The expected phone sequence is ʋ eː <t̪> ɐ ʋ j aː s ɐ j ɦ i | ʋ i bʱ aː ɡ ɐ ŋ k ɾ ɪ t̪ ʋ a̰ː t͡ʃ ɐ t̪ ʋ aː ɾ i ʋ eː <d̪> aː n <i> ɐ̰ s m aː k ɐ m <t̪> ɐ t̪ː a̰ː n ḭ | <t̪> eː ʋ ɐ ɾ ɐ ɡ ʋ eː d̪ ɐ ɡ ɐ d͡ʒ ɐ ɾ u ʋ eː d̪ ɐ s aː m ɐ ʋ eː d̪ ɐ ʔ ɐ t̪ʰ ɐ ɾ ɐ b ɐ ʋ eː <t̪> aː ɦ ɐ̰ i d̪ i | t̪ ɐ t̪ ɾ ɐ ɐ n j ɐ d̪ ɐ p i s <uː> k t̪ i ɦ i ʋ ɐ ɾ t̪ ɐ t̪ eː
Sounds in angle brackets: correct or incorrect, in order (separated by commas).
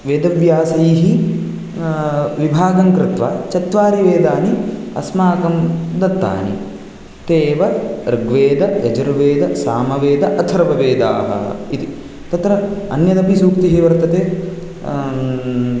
incorrect, correct, correct, incorrect, correct, incorrect, correct